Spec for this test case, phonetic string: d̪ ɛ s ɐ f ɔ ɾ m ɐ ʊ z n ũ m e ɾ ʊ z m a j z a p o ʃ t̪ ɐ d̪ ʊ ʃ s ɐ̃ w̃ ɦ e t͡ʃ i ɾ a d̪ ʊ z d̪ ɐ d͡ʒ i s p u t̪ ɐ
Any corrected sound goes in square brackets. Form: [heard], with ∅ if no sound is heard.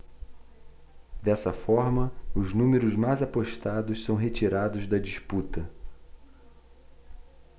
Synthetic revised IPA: d̪ ɛ s ɐ f ɔ ɾ m ɐ ʊ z n ũ m e ɾ ʊ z m a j z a p o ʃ t̪ [a] d̪ ʊ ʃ s ɐ̃ w̃ ɦ e t͡ʃ i ɾ a d̪ ʊ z d̪ ɐ d͡ʒ i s p u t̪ ɐ